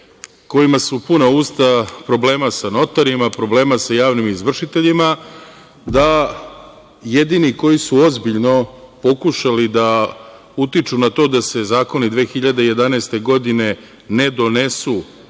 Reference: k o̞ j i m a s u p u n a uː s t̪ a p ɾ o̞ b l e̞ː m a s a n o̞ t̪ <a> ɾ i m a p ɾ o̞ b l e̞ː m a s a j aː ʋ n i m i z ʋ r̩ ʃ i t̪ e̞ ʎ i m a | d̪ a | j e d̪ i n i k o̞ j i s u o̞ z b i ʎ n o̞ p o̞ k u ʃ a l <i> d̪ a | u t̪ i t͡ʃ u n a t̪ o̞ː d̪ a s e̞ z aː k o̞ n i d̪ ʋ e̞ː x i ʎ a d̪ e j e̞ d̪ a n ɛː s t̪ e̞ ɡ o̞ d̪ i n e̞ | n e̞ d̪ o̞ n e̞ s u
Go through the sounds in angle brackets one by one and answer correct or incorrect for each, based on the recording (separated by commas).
correct, correct